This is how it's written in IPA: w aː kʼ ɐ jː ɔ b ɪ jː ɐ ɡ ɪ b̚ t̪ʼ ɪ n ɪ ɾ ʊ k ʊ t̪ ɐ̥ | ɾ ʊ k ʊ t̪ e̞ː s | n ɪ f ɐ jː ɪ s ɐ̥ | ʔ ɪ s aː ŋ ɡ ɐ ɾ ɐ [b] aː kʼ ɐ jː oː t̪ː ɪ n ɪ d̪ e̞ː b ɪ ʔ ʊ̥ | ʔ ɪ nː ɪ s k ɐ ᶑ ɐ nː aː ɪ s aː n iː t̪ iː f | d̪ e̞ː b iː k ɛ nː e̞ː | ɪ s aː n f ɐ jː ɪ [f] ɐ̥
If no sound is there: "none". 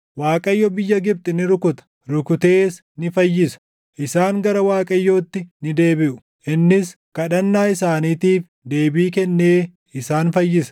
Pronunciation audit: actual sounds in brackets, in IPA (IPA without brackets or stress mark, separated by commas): w, s